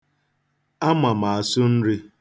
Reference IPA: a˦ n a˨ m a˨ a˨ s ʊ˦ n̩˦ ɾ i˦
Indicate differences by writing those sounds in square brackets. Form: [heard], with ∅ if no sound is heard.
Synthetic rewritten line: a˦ [m] a˨ m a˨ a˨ s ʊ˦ n̩˦ ɾ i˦